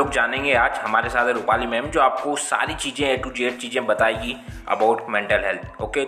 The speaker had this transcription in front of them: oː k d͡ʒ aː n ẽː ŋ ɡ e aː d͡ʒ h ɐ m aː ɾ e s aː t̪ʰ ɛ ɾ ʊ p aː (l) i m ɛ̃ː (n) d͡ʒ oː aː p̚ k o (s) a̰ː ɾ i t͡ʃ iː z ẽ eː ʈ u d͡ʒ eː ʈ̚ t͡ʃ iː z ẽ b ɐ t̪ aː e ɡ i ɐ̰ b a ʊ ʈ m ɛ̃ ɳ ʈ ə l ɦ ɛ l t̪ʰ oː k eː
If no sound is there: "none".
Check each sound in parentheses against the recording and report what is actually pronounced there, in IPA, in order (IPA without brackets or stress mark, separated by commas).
l, m, s